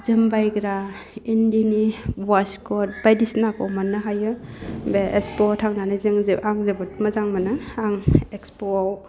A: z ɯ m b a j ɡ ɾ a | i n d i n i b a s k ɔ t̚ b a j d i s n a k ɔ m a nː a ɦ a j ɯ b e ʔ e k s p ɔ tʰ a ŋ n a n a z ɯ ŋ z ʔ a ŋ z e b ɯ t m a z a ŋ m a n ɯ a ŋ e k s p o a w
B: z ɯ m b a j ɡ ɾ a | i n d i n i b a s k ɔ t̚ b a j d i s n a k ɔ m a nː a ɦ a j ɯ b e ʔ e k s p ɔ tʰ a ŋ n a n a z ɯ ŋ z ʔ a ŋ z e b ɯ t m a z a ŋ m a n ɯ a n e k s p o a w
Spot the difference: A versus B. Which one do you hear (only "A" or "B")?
A